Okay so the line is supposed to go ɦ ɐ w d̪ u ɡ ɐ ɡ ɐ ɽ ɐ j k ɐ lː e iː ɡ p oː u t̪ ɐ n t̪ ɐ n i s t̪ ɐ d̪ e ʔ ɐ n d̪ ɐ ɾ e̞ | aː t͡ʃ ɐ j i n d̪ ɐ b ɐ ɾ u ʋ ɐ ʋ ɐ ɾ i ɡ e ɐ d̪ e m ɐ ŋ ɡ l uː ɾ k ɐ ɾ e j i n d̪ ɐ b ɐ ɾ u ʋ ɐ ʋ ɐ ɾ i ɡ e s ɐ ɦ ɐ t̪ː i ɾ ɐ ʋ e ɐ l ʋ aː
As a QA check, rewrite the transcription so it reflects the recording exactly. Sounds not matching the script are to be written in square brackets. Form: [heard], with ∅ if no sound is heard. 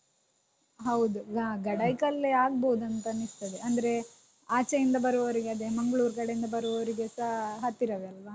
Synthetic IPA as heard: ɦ ɐ w d̪ u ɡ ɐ ɡ ɐ ɽ ɐ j k ɐ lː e [aː] ɡ [b] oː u [d̪] ɐ n t̪ ɐ n i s t̪ ɐ d̪ e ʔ ɐ n d̪ ɐ ɾ e̞ | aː t͡ʃ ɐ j i n d̪ ɐ b ɐ ɾ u ʋ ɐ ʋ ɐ ɾ i ɡ e ɐ d̪ e m ɐ ŋ ɡ [ɭ] uː ɾ k ɐ [ɽ] e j i n d̪ ɐ b ɐ ɾ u ʋ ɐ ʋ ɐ ɾ i ɡ e s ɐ ɦ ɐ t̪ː i ɾ ɐ ʋ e ɐ l ʋ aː

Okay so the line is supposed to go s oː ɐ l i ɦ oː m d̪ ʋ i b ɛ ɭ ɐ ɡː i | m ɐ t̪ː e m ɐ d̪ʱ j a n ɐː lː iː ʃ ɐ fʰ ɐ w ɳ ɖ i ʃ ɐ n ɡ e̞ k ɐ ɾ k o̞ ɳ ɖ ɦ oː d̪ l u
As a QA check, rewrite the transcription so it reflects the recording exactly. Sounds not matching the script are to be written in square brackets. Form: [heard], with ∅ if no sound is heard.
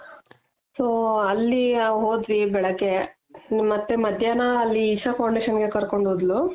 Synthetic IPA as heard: s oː ɐ [lː] i ɦ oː [∅] d̪ ʋ i b ɛ ɭ ɐ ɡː [e] | m ɐ t̪ː e m ɐ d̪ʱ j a n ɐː lː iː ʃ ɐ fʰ ɐ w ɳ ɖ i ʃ ɐ n ɡ e̞ k ɐ ɾ k o̞ ɳ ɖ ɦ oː d̪ l u

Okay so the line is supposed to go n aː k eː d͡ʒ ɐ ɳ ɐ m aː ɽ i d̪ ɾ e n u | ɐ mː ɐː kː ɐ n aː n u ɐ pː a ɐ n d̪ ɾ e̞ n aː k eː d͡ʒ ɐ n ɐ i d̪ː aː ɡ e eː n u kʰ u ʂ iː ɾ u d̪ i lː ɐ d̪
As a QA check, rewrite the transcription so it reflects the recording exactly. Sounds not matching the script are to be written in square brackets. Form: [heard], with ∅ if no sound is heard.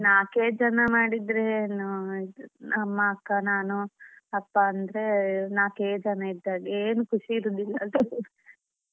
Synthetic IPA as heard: n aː k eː d͡ʒ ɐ [n] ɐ m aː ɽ i d̪ ɾ e n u | ɐ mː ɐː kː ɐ n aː n u ɐ pː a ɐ n d̪ ɾ e̞ n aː k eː d͡ʒ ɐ n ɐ i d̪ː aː ɡ e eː n u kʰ u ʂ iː ɾ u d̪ i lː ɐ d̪

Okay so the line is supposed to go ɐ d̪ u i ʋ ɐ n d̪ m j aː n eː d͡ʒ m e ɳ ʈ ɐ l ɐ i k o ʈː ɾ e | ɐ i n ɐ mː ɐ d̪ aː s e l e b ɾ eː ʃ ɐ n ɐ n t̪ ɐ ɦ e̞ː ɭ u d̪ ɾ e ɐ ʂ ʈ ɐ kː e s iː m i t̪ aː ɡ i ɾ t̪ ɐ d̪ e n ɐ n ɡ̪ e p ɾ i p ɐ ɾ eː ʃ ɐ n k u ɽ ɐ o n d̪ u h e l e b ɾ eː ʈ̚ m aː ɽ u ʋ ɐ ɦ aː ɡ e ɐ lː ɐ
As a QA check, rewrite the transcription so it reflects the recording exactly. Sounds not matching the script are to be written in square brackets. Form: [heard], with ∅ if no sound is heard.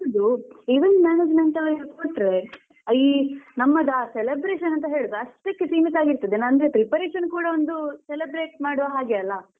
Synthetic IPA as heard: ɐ d̪ u i ʋ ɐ n d̪ m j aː n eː d͡ʒ m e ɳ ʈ ɐ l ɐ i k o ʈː ɾ e | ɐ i n ɐ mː ɐ d̪ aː s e l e b ɾ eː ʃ ɐ n ɐ n t̪ ɐ ɦ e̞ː ɭ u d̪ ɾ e ɐ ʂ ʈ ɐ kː e s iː m i t̪ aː ɡ i ɾ t̪ ɐ d̪ e n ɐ n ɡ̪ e p ɾ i p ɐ ɾ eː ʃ ɐ n k [uː] ɽ ɐ o n d̪ u [s] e l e b ɾ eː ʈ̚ m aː ɽ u ʋ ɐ ɦ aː ɡ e ɐ lː ɐ

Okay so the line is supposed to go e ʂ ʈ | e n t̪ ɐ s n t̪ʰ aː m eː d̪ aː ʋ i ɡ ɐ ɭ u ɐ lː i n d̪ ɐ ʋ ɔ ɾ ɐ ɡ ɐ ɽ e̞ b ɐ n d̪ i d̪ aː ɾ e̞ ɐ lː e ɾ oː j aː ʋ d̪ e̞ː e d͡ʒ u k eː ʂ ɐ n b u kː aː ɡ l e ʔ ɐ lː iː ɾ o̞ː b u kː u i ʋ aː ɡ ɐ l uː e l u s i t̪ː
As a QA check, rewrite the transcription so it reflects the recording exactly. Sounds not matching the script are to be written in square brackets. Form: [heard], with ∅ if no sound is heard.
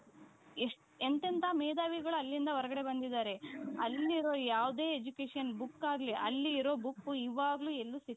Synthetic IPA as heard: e ʂ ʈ | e n t̪ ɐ [∅] n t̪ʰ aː m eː d̪ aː ʋ i ɡ ɐ ɭ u ɐ lː i n d̪ ɐ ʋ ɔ ɾ ɐ ɡ ɐ ɽ e̞ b ɐ n d̪ i d̪ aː ɾ e̞ ɐ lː [i] ɾ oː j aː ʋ d̪ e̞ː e d͡ʒ u k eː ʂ ɐ n b u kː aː ɡ l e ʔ ɐ lː iː ɾ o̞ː b u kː u i ʋ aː ɡ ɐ l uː e [lː] u s i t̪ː

